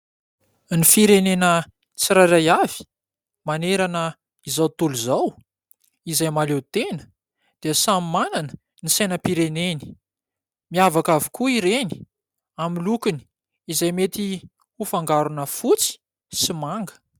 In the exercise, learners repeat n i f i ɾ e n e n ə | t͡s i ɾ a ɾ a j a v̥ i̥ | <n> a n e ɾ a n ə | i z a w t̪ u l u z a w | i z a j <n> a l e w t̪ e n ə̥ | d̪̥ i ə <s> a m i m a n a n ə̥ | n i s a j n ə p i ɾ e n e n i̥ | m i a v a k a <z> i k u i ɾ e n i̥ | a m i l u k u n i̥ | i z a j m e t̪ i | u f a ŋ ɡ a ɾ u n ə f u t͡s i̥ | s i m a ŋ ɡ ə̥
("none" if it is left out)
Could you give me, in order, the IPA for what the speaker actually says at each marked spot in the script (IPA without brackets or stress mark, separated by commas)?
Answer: m, m, s, v